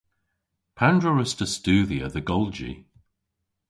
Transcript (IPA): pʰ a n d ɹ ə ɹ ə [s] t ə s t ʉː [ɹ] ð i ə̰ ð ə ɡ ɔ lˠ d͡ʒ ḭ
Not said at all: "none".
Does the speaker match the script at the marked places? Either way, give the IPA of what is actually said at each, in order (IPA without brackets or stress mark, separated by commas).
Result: s, none